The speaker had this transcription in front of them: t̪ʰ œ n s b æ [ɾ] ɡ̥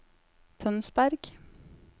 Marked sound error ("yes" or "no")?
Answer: no